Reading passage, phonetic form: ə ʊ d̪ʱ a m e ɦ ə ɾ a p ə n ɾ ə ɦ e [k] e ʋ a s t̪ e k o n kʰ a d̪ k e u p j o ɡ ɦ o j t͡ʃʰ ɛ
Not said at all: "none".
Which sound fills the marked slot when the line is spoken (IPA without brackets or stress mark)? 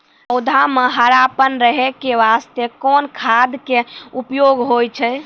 k